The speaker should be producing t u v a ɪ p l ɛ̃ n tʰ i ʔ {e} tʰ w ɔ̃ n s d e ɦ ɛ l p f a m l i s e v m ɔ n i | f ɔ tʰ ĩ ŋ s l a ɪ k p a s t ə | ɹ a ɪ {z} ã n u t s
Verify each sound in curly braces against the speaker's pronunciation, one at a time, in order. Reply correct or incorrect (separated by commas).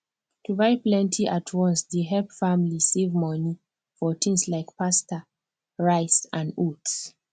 incorrect, incorrect